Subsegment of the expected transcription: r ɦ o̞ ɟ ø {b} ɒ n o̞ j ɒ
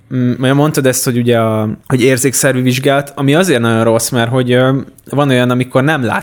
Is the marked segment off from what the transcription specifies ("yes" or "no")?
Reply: yes